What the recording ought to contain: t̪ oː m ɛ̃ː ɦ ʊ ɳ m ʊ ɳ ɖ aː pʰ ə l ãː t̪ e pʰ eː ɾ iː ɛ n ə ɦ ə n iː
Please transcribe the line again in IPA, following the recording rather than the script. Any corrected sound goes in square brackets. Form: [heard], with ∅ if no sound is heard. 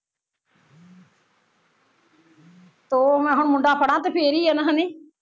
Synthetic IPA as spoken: t̪ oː m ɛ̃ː ɦ ʊ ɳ m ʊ ɳ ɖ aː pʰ ə [ɽ] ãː t̪ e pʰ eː ɾ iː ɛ n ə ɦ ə n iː